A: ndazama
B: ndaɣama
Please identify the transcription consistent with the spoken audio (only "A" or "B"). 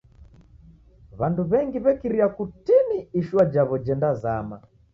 A